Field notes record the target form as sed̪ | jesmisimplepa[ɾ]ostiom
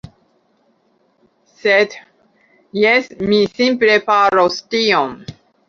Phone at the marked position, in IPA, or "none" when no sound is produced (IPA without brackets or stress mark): ɾ